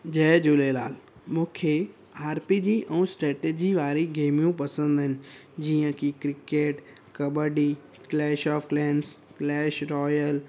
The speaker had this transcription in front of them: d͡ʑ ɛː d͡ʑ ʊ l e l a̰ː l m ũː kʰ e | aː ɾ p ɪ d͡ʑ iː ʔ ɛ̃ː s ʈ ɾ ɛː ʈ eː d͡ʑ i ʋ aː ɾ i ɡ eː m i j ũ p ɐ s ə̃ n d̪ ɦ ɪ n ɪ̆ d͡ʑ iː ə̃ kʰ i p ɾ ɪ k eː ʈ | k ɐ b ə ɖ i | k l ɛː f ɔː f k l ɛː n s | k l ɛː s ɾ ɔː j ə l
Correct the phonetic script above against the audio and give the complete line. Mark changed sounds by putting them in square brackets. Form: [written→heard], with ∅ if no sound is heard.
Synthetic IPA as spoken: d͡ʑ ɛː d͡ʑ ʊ l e l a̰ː l m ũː kʰ e | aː ɾ p [ɪ→i] d͡ʑ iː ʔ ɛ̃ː s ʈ ɾ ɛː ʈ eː d͡ʑ i ʋ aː ɾ i ɡ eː m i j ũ p ɐ s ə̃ n d̪ ɦ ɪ n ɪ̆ d͡ʑ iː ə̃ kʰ i [p→k] ɾ ɪ k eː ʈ | k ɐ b ə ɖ i | k l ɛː [f→ʃ] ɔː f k l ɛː n s | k l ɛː [s→ʃ] ɾ ɔː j ə l